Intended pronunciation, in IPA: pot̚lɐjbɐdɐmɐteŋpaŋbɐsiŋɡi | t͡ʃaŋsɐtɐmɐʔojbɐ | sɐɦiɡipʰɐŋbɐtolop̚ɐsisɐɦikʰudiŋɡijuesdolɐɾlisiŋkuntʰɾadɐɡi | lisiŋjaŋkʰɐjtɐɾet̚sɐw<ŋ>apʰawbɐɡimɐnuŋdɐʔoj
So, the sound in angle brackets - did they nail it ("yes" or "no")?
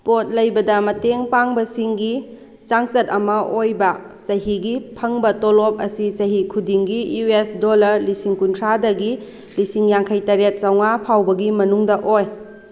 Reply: yes